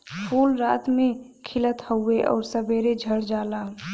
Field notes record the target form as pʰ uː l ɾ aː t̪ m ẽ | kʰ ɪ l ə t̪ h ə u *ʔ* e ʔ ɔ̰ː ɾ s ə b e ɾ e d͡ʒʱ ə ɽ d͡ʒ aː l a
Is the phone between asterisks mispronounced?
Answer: yes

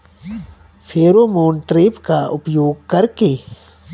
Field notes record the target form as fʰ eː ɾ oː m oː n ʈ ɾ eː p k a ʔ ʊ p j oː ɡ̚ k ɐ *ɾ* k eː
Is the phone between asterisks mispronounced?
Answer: no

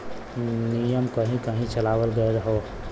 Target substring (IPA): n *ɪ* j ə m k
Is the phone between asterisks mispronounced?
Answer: yes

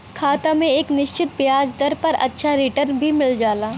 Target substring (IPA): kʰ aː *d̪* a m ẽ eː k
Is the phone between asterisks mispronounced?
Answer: yes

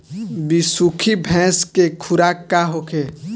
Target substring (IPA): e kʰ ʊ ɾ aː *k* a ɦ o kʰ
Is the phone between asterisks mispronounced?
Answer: no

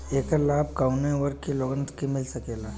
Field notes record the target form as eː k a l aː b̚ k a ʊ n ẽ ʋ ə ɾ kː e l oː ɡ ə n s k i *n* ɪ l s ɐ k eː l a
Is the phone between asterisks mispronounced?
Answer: yes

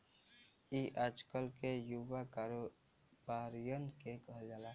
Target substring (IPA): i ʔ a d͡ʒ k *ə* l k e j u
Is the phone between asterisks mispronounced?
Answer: no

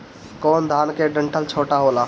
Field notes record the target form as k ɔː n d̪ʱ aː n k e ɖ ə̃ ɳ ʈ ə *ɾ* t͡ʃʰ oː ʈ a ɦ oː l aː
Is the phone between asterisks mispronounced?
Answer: yes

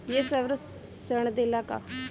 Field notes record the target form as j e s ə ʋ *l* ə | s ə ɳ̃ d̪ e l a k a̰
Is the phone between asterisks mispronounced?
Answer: yes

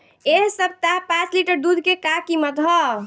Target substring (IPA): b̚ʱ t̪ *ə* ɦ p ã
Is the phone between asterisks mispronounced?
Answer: yes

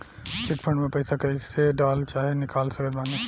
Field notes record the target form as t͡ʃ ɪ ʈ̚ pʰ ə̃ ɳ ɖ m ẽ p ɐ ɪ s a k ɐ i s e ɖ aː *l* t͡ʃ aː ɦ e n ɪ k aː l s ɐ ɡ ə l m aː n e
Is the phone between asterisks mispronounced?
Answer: no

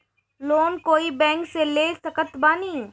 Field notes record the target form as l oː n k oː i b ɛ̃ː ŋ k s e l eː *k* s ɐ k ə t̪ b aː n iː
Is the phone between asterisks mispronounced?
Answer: yes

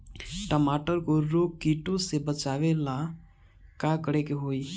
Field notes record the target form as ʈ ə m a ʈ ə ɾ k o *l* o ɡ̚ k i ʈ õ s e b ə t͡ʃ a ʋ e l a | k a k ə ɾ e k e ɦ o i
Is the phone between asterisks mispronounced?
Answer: yes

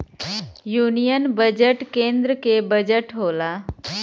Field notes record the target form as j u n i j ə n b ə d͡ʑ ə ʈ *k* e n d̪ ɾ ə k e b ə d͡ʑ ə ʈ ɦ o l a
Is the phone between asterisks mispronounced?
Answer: no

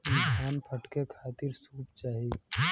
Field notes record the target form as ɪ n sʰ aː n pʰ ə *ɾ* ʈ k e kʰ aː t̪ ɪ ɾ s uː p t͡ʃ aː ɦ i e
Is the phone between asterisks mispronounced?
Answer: yes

